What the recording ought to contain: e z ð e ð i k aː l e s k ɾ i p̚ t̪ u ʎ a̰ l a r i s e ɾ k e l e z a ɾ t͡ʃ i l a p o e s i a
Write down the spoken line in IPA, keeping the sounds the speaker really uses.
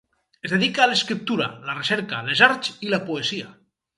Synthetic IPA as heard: e z ð e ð i k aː l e s k ɾ i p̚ t̪ u ɾ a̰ l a r e s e ɾ k a l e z a ɾ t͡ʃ i l a p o e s i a

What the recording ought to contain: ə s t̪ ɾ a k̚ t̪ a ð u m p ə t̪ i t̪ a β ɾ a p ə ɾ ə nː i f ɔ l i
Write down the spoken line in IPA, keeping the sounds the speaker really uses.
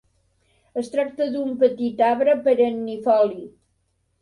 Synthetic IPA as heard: ə s t̪ ɾ a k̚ t̪ ə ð u m p ə t̪ i t̪ a β ɾ ə p ə ɾ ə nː i f ɔ l i

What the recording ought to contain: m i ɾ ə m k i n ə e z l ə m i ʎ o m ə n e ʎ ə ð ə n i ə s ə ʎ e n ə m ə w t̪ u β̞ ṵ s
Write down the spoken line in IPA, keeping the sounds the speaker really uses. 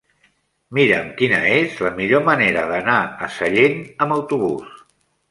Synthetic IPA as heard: m i ɾ ə m k i n ə e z l ə m i ʎ o m ə n e ɾ ə ð ə n a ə s ə ʎ e n ə m ə w t̪ u β̞ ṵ s

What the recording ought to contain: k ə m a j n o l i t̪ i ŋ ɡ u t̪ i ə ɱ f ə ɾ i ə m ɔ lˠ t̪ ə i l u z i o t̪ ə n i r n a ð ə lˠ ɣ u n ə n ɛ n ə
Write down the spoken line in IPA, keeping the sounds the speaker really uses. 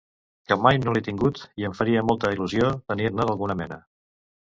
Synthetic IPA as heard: k ə m a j n o l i t̪ i ŋ ɡ u t̪ i ə ɱ f ə ɾ i ə m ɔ lˠ t̪ ə i l u z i o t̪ ə n i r n ə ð ə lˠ ɣ u n ə m ɛ n ə

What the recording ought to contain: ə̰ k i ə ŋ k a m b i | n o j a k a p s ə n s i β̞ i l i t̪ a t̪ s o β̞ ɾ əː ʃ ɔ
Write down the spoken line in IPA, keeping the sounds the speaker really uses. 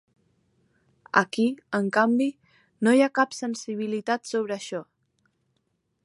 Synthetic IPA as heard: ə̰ k i ə ŋ k a m b i | n o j a k a p s ə n s i β̞ i l i t̪ a t̪ s o β̞ ɾ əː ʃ ɔ

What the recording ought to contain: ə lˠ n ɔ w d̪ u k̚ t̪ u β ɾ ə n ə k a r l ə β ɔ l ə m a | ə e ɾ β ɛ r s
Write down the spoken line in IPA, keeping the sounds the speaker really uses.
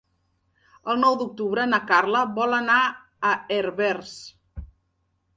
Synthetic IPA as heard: ə lˠ n ɔ w d̪ u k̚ t̪ u β ɾ ə n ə k a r l ə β ɔ l ə n a | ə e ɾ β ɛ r s

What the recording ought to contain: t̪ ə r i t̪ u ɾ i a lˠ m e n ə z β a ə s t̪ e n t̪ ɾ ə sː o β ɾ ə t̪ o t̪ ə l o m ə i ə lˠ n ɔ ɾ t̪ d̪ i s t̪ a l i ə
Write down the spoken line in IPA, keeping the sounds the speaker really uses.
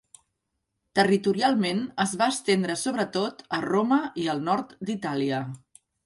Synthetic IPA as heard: t̪ ə r i t̪ u ɾ i a lˠ m e n ə z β a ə s t̪ e n d̪ ɾ ə s o β ɾ ə t̪ o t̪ ə r o m ə i ə lˠ n ɔ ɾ t̪ d̪ i t̪ a l i ə

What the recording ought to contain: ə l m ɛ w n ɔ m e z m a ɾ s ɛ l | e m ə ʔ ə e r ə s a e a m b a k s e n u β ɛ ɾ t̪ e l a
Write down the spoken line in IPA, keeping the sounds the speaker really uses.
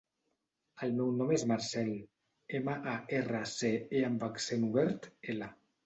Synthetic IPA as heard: ə l m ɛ w n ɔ m e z m a ɾ s ɛ l | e m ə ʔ a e r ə s e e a m b a k s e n u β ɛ ɾ t̪ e l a

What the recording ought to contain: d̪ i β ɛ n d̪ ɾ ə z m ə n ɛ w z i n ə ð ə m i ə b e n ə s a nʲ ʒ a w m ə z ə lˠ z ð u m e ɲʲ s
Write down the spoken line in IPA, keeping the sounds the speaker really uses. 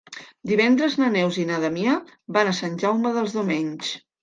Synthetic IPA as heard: d̪ i β ɛ n d̪ ɾ ə z n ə n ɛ w z i n a ð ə m i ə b a n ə s a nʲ ʒ a w m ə ð ə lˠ z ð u m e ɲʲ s

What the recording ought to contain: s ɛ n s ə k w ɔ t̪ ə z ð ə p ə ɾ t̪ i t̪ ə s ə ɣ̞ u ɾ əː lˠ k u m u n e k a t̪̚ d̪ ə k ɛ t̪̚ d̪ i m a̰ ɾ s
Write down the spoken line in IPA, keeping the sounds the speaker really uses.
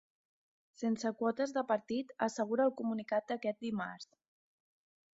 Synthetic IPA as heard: s e n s ə k w ɔ t̪ ə z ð ə p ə ɾ t̪ i t̪ ə s ə ɣ̞ u ɾ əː lˠ k u m u n i k a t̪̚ d̪ ə k ɛ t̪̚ d̪ i m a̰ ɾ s

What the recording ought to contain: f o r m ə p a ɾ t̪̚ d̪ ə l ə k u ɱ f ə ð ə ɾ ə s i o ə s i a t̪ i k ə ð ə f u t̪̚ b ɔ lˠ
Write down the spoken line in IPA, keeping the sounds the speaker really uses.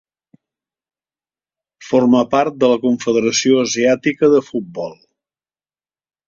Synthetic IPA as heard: f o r m ə p a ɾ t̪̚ d̪ ə l ə k u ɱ f ə ð ə ɾ ə s i o ə z i a t̪ i k ə ð ə f u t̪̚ b ɔ lˠ

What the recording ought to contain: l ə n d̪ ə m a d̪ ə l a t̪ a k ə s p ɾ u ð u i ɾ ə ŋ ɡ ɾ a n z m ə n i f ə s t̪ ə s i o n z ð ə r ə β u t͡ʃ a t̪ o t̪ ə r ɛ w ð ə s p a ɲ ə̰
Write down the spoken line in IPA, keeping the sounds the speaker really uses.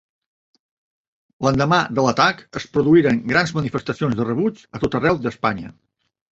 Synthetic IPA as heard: l ə n d̪ ə m a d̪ ə l ə t̪ a k ə s p ɾ u ð u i ɾ ə ŋ ɡ ɾ a n z m ə n i f ə s t̪ ə s i o n z ð ə r ə β u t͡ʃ ə t̪ o t̪ ə r ɛ w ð ə s p a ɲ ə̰

